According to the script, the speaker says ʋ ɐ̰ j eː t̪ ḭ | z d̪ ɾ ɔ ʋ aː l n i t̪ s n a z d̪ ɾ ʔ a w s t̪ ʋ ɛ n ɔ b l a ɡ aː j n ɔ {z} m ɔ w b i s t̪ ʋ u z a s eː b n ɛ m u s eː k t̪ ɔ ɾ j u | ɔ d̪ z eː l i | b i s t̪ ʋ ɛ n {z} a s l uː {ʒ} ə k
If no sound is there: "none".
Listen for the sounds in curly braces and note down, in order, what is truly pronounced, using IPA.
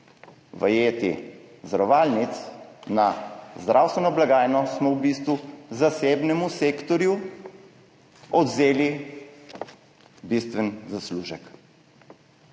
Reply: s, z, ʒ

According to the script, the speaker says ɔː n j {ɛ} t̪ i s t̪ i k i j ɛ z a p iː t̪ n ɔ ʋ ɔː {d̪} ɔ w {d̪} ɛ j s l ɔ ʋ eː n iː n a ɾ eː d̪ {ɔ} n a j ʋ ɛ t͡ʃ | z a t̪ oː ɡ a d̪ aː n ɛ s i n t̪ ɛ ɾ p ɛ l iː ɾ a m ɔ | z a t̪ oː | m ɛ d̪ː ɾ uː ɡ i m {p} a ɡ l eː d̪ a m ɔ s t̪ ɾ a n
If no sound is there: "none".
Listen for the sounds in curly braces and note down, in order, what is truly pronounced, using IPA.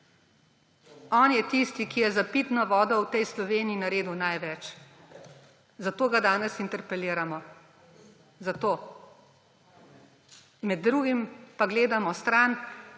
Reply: ɛ, d̪, t̪, u, p

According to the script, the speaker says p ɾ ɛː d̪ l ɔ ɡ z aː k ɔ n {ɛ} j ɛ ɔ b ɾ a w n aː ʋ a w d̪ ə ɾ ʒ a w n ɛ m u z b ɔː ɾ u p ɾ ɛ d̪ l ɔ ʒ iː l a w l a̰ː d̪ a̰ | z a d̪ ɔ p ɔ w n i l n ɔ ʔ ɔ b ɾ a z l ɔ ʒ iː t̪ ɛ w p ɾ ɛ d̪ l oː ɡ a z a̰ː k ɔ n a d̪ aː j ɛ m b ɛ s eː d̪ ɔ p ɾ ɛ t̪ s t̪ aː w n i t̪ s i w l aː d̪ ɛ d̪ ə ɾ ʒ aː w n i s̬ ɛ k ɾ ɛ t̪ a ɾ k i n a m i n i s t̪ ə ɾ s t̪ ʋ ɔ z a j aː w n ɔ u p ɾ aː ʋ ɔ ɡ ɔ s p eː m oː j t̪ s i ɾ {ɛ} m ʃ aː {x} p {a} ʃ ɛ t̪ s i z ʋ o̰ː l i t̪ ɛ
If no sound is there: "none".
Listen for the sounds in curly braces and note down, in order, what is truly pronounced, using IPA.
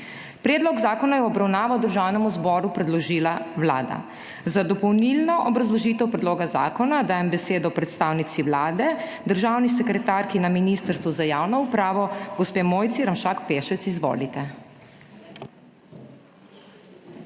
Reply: a, a, k, e

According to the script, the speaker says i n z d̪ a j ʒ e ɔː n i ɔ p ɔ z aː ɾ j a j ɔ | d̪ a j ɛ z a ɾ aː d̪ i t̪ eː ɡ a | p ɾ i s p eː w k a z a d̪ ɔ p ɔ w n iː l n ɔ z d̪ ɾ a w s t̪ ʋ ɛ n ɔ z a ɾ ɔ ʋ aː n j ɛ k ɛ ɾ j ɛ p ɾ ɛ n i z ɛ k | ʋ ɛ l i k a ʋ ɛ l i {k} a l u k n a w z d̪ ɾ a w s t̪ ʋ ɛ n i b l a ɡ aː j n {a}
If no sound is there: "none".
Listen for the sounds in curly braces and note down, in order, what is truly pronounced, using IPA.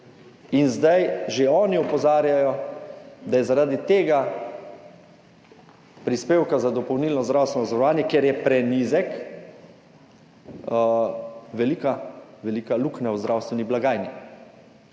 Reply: k, i

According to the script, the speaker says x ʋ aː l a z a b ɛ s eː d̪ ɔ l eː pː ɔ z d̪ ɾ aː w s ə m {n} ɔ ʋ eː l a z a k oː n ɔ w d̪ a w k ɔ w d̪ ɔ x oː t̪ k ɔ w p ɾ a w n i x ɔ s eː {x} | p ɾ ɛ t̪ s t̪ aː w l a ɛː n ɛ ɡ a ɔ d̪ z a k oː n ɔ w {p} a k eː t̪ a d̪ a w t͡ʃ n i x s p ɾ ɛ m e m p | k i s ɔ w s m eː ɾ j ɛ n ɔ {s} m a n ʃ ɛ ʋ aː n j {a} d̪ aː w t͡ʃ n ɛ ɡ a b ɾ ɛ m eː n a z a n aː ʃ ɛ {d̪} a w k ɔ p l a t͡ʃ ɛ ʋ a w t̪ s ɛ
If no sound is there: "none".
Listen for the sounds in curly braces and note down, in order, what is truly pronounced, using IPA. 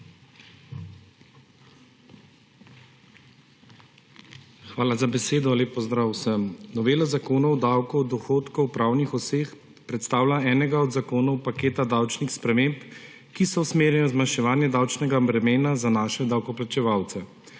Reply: n, x, p, z, ɛ, d̪

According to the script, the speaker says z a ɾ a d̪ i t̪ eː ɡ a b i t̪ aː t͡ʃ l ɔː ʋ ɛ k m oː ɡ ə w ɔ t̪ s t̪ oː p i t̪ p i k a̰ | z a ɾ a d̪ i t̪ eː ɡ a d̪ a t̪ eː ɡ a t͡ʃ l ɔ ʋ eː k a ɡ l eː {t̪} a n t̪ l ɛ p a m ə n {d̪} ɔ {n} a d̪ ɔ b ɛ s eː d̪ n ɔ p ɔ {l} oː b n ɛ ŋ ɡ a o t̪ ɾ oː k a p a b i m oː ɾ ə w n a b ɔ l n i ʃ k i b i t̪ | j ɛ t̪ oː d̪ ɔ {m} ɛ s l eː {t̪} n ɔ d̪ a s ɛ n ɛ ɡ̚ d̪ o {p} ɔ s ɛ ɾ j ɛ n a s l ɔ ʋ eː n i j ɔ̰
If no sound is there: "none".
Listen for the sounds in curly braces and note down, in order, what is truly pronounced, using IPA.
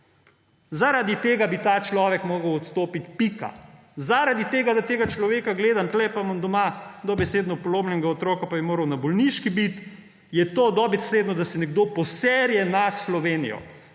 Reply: d̪, d̪, m, l, b, d̪, p

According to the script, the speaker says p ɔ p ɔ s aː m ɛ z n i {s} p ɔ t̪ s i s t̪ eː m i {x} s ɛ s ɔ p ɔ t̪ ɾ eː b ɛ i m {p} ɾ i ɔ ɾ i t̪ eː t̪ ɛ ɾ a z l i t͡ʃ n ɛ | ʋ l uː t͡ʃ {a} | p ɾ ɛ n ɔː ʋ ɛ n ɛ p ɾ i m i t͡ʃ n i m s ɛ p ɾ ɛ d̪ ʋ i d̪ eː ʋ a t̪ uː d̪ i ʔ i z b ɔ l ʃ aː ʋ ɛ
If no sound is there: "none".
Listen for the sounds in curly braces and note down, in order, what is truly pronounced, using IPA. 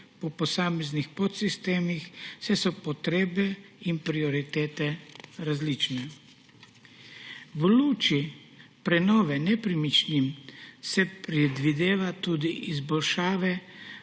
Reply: x, x, p, i

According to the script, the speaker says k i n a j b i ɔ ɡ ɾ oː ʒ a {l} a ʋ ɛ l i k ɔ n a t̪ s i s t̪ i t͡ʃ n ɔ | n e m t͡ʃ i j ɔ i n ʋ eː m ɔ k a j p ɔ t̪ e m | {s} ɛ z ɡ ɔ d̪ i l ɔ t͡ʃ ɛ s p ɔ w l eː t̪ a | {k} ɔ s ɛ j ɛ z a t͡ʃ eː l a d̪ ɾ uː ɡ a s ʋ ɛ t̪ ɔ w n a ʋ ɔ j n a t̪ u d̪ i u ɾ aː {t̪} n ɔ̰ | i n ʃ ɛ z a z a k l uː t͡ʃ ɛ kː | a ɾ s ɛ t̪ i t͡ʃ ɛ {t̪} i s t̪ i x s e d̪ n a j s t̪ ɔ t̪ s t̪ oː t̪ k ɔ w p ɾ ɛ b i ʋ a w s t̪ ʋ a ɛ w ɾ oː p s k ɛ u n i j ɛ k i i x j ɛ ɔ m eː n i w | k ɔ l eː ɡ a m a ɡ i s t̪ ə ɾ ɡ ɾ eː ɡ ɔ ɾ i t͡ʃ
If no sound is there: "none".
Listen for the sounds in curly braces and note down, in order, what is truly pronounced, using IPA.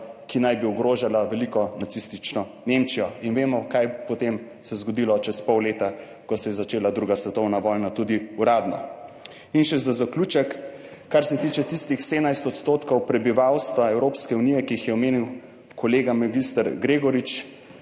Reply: l, s, k, d̪, t̪

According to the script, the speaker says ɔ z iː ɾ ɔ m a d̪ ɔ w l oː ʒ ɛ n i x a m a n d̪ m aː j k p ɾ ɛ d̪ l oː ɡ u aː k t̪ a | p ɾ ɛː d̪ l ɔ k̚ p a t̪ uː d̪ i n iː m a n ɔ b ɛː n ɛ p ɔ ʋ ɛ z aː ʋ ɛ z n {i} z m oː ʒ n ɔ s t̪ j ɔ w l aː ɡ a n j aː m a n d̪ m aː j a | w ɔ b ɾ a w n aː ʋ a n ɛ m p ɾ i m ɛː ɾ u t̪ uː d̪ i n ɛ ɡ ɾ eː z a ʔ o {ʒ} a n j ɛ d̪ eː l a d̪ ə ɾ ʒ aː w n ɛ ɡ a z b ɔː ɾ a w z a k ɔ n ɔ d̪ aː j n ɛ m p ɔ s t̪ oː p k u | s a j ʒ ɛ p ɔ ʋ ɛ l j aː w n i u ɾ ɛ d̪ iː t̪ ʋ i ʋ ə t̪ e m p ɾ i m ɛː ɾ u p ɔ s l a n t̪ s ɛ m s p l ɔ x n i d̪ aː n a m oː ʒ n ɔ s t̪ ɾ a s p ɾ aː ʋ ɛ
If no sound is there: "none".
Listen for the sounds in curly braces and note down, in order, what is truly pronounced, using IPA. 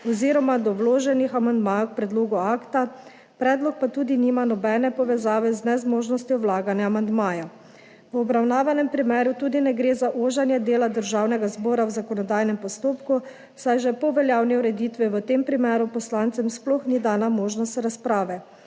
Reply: ɛ, ʒ

